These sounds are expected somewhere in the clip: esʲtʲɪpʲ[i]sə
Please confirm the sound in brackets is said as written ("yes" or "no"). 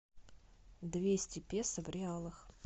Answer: no